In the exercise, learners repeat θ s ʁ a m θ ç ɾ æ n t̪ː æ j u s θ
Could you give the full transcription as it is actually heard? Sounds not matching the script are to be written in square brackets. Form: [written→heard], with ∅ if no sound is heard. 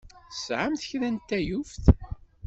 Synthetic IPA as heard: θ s [ʁ→ʕ] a m θ ç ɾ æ n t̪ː æ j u [s→f] θ

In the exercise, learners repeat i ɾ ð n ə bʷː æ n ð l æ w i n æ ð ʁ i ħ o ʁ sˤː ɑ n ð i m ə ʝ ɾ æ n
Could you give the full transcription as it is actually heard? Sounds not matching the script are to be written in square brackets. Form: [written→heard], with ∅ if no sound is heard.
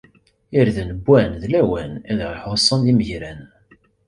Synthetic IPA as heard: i ɾ ð n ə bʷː æ n ð l æ w [i→æ] n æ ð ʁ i ħ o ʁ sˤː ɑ n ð i m ə ʝ ɾ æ n

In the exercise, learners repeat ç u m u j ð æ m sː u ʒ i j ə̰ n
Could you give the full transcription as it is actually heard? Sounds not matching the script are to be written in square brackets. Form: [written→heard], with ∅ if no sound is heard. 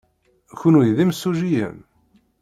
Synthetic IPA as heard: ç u [m→n] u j ð [æ→i] m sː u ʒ i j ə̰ [n→m]

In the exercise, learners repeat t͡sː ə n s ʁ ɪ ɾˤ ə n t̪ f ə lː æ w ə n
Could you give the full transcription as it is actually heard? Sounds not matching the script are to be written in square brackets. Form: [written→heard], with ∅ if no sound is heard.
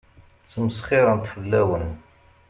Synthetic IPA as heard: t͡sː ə [n→m] s [ʁ→χ] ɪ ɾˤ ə n t̪ f ə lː æ w ə n

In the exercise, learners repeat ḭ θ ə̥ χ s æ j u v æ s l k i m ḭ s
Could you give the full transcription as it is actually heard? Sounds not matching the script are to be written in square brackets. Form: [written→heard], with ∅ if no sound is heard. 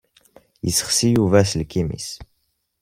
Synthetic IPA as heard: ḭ [θ→s] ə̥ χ s [æ→i] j u v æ s l k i m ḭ s

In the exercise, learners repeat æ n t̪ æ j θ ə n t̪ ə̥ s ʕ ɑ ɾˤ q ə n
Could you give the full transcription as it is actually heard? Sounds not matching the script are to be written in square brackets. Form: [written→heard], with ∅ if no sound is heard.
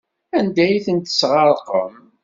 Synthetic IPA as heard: æ n [t̪→d̪] æ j θ ə n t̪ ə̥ s [ʕ→ʁ] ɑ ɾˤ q ə [n→m]

